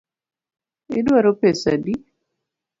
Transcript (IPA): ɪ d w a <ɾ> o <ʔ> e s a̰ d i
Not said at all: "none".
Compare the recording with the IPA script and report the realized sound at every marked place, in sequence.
ɾ, p

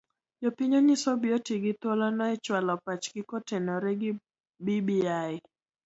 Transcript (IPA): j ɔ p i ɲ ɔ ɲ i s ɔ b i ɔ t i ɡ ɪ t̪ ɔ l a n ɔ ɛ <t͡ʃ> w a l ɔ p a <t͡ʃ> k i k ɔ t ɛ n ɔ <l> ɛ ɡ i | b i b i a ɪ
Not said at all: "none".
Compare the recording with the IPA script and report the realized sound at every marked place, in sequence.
t͡ʃ, t͡ʃ, ɾ

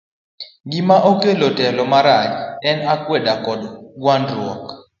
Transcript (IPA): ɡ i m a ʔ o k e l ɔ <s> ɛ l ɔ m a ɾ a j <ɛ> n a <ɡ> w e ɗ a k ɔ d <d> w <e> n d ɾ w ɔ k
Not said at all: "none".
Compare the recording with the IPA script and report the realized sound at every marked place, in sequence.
t, ɛ, k, ɡ, a

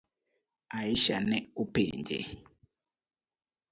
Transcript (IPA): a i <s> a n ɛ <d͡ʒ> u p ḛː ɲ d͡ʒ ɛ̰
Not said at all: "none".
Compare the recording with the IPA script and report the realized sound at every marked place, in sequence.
ʃ, none

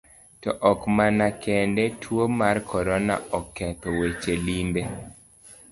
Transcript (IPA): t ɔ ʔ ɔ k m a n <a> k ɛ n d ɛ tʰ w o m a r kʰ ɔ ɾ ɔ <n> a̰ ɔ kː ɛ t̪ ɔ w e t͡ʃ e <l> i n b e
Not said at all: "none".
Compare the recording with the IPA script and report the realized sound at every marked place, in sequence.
a, n, l

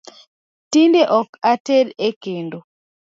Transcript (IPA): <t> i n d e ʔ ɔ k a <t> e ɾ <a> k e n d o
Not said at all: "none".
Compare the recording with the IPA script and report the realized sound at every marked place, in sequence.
t, t, e

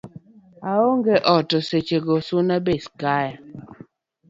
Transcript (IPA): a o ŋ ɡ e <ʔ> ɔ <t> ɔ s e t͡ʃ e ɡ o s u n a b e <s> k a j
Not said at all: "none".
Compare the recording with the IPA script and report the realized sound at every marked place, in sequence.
ʔ, t, s

